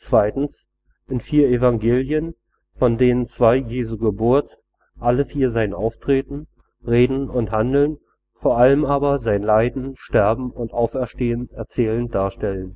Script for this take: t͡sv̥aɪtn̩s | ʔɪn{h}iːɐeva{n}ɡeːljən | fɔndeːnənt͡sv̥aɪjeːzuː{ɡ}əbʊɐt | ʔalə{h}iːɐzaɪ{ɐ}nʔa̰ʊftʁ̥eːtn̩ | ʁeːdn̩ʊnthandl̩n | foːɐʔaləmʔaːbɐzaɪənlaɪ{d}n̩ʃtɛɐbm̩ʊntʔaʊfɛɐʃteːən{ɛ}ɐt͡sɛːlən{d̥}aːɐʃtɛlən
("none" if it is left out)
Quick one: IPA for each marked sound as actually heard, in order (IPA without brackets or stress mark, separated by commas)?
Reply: f, ŋ, ɡ, f, ə, d, ɛ, d̥